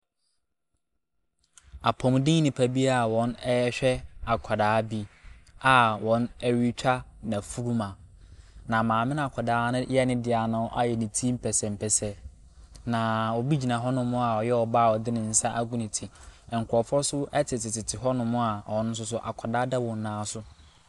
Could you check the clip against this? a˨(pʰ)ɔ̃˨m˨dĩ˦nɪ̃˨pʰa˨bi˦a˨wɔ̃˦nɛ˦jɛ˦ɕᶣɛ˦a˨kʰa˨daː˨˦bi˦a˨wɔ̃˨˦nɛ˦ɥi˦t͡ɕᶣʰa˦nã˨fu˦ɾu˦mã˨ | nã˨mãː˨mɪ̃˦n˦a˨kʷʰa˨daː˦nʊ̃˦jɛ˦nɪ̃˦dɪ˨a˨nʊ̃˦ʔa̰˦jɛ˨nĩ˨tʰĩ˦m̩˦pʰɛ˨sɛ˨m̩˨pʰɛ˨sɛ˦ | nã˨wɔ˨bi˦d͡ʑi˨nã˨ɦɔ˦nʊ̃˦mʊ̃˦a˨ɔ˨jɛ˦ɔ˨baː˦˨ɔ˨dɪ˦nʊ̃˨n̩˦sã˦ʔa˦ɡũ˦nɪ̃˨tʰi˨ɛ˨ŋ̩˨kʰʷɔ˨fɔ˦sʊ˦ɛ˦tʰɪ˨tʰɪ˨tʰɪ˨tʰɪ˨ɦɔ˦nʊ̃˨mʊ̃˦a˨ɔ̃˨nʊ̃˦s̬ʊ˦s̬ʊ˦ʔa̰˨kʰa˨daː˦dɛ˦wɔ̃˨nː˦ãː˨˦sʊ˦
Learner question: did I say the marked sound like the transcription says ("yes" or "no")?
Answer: yes